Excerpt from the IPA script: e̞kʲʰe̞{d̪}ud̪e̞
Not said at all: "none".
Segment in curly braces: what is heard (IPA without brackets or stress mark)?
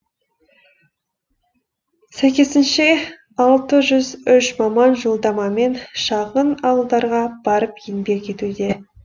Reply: t̪